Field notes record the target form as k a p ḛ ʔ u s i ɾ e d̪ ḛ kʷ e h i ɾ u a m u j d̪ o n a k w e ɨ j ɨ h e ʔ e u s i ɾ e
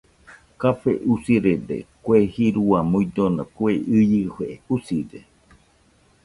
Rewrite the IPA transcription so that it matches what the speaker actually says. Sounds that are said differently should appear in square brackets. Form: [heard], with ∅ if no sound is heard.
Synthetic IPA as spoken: k a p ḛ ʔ u s i ɾ e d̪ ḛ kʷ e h i ɾ u a m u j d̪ o n a k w e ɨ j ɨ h e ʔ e u s i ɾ e